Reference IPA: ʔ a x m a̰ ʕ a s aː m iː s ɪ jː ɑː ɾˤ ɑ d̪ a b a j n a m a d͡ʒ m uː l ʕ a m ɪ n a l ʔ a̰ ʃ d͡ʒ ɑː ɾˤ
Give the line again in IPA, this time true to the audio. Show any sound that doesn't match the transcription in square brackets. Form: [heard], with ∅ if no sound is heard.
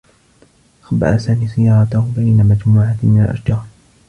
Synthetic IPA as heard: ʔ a x [b] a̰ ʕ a s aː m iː s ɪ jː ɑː ɾˤ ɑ [t̪] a b a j n a m a d͡ʒ m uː [∅] ʕ a m ɪ n a l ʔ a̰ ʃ d͡ʒ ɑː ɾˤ